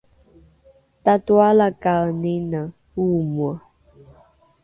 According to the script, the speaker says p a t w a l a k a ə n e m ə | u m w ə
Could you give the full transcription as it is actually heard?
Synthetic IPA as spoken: t a t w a l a k a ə n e n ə | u m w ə